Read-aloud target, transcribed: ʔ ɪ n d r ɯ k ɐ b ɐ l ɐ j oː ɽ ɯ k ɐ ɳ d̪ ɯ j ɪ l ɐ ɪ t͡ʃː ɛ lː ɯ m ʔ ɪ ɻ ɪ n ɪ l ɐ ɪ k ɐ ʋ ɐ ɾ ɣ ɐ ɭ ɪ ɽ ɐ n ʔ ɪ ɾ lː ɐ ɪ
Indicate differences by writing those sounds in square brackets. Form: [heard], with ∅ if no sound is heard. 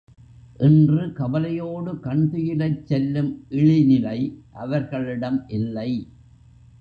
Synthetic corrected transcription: ʔ ɪ n d r ɯ k ɐ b ɐ l ɐ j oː ɽ ɯ k ɐ ɳ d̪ ɯ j ɪ l ɐ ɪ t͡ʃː ɛ lː ɯ m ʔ ɪ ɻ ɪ n ɪ l ɐ ɪ [ʔ] ɐ ʋ ɐ ɾ ɣ ɐ ɭ ɪ ɽ ɐ [m] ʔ ɪ [∅] lː ɐ ɪ

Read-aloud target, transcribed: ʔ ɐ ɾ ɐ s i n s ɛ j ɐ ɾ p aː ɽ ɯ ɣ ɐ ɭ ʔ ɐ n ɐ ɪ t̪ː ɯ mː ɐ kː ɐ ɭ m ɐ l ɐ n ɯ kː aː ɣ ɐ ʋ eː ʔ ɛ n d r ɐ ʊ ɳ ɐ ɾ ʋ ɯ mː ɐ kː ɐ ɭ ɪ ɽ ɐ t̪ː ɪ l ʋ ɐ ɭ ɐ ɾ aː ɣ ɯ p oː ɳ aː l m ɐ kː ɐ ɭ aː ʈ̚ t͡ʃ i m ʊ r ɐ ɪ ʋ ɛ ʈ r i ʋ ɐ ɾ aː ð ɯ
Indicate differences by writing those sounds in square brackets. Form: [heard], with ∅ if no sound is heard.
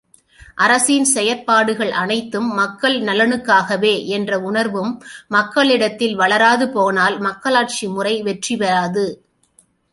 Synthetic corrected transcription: ʔ ɐ ɾ ɐ s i n s ɛ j ɐ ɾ p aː ɽ ɯ ɣ ɐ ɭ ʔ ɐ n ɐ ɪ t̪ː ɯ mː ɐ kː ɐ ɭ [n] ɐ l ɐ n ɯ kː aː ɣ ɐ ʋ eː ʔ ɛ n d r ɐ ʊ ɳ ɐ ɾ ʋ ɯ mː ɐ kː ɐ ɭ ɪ ɽ ɐ t̪ː ɪ l ʋ ɐ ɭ ɐ ɾ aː [ð] ɯ p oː [n] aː l m ɐ kː ɐ ɭ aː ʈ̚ t͡ʃ i m ʊ r ɐ ɪ ʋ ɛ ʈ r i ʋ ɐ ɾ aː ð ɯ

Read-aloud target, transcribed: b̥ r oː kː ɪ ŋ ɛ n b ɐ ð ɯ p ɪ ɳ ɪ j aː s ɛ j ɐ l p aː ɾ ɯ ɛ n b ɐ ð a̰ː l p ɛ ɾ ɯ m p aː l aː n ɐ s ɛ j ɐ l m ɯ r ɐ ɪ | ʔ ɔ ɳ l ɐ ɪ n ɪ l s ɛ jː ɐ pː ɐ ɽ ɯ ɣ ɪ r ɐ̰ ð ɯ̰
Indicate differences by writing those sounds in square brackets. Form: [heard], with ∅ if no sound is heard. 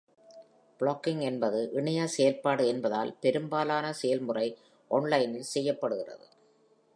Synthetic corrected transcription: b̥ [ɭ] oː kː ɪ ŋ ɛ n b ɐ ð ɯ [ʔ] ɪ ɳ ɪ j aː s ɛ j ɐ l p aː [ɽ] ɯ ɛ n b ɐ ð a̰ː l p ɛ ɾ ɯ m [b] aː l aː n ɐ s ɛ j ɐ l m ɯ r ɐ ɪ | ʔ ɔ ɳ l ɐ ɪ n ɪ l s ɛ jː ɐ pː ɐ ɽ ɯ ɣ ɪ r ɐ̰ ð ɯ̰

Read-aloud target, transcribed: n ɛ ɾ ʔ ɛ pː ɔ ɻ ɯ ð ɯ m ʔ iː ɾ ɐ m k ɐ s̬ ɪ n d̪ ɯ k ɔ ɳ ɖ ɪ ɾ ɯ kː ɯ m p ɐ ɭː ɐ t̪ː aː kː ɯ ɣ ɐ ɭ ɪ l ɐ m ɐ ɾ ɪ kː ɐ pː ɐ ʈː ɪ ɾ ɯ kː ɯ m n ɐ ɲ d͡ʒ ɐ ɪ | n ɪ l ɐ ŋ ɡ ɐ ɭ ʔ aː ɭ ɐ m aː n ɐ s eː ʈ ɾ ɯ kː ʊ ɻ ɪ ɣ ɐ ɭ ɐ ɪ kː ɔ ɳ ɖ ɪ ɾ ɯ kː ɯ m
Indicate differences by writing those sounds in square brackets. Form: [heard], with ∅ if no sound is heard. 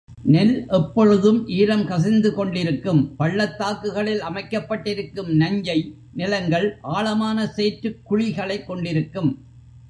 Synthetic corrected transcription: n ɛ [l] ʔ ɛ pː ɔ ɻ ɯ ð ɯ m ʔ iː ɾ ɐ m k ɐ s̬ ɪ n d̪ ɯ k ɔ ɳ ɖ ɪ ɾ ɯ kː ɯ m p ɐ ɭː ɐ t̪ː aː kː ɯ ɣ ɐ ɭ ɪ l ɐ m ɐ [∅] ɪ kː ɐ pː ɐ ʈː ɪ ɾ ɯ kː ɯ m n ɐ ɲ d͡ʒ ɐ ɪ | n ɪ l ɐ ŋ ɡ ɐ ɭ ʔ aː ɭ ɐ m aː n ɐ s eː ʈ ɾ ɯ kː ʊ ɻ ɪ ɣ ɐ ɭ ɐ ɪ kː ɔ ɳ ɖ ɪ ɾ ɯ kː ɯ m

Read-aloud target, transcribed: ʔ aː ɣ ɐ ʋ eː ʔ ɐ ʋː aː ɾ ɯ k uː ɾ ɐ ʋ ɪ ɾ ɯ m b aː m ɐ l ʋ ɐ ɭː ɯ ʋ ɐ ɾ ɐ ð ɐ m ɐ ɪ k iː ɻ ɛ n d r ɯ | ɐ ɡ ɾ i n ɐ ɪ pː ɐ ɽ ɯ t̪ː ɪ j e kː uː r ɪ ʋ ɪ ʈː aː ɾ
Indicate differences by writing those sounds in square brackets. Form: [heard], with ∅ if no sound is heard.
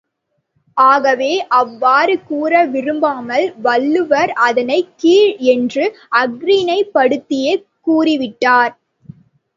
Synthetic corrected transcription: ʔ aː ɣ ɐ ʋ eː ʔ ɐ ʋː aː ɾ ɯ k uː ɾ ɐ ʋ ɪ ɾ ɯ m b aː m ɐ l ʋ ɐ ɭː ɯ ʋ ɐ ɾ ɐ ð ɐ [n] ɐ ɪ k iː ɻ ɛ n d r ɯ | ɐ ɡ ɾ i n ɐ ɪ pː ɐ ɽ ɯ t̪ː ɪ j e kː uː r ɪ ʋ ɪ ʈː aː ɾ

